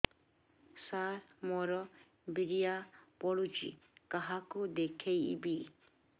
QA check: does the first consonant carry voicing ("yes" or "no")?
no